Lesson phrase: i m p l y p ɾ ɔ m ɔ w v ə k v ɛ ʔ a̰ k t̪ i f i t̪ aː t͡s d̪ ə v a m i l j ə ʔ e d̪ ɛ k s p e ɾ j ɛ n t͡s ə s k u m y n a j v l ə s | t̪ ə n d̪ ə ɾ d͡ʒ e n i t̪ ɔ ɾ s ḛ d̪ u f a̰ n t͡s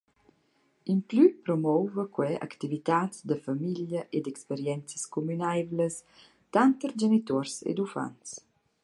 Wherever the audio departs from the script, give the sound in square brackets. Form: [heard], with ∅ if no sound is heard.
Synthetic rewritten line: i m p l y p ɾ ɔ m ɔ w v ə k [w] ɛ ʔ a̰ k t̪ i [v] i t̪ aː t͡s d̪ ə [f] a m i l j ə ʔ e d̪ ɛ k s p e ɾ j ɛ n t͡s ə s k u m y n a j v l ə s | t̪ [a] n [t̪] ə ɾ d͡ʒ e n i t̪ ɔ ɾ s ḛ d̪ u f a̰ n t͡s